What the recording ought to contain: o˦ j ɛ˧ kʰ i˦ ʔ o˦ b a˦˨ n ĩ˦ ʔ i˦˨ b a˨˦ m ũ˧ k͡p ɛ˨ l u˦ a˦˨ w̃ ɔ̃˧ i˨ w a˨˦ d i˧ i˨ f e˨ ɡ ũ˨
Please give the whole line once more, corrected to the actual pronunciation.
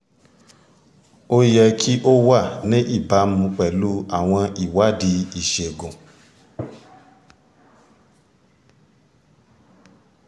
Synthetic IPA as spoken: o˦ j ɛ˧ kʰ i˦ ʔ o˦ w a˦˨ n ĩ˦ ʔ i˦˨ b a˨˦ m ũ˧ k͡p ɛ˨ l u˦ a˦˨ w̃ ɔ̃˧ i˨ w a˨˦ d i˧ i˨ ʃ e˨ ɡ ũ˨